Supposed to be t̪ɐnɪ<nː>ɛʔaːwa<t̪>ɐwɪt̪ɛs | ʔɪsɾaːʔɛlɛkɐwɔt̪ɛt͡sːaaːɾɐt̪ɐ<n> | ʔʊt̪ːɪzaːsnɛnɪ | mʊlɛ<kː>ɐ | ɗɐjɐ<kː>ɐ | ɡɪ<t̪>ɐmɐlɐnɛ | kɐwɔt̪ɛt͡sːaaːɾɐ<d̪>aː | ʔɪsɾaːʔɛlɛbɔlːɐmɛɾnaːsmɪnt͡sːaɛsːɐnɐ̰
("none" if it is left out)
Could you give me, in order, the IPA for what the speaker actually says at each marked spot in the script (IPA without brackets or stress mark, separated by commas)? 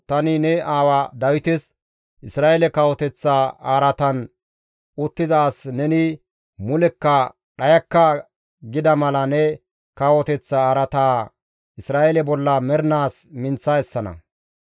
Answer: n, d̪, n, kː, kː, d̪, t̪